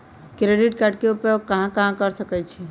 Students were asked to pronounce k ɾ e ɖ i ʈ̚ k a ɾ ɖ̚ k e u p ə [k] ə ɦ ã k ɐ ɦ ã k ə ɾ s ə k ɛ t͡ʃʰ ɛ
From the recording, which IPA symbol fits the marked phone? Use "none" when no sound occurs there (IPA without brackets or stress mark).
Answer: k